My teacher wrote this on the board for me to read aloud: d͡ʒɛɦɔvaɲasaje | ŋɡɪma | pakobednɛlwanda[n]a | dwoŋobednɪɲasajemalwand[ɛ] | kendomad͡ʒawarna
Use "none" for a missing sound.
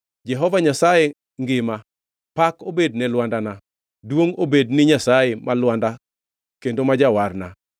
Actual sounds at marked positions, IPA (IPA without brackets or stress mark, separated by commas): n, a